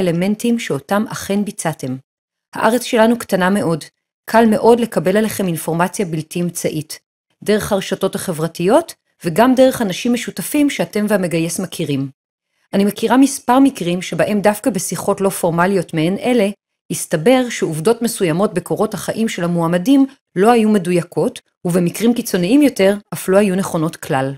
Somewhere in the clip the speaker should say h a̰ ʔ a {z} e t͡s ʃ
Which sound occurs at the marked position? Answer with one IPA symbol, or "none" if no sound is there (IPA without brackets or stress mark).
ʁ